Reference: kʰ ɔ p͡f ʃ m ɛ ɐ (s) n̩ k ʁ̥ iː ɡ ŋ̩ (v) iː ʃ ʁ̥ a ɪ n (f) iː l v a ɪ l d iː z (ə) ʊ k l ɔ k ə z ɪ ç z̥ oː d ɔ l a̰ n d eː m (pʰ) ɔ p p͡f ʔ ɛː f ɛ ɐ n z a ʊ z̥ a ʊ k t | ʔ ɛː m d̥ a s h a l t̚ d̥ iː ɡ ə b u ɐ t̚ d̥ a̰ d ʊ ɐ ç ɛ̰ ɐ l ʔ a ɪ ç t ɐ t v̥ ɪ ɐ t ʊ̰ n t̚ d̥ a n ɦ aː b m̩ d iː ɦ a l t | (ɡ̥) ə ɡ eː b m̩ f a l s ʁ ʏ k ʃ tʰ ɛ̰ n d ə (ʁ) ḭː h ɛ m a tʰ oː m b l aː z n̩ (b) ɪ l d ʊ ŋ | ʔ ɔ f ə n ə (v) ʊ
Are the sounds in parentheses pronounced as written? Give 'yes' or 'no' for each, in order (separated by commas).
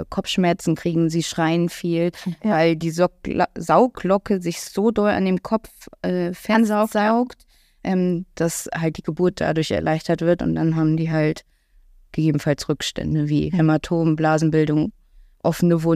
no, no, yes, no, no, yes, no, yes, yes